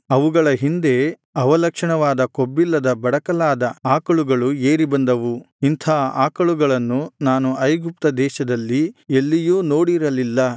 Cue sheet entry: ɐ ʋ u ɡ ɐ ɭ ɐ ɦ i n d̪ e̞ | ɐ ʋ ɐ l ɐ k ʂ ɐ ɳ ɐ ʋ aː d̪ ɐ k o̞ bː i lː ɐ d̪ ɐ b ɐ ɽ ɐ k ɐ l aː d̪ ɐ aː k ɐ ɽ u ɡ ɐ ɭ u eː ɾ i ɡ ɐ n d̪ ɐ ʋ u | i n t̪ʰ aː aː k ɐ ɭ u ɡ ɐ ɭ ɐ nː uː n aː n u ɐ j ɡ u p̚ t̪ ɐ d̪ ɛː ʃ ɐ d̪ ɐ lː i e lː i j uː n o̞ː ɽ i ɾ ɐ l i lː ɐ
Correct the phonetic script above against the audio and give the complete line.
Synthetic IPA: ɐ ʋ u ɡ ɐ ɭ ɐ ɦ i n d̪ e̞ | ɐ ʋ ɐ l ɐ k ʂ ɐ ɳ ɐ ʋ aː d̪ ɐ k o̞ bː i lː ɐ d̪ ɐ b ɐ ɽ ɐ k ɐ l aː d̪ ɐ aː k ɐ ɭ u ɡ ɐ ɭ u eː ɾ i b ɐ n d̪ ɐ ʋ u | i n t̪ʰ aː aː k ɐ ɭ u ɡ ɐ ɭ ɐ nː u n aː n u ɐ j ɡ u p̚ t̪ ɐ d̪ ɛː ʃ ɐ d̪ ɐ lː i e lː i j uː n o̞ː ɽ i ɾ ɐ l i lː ɐ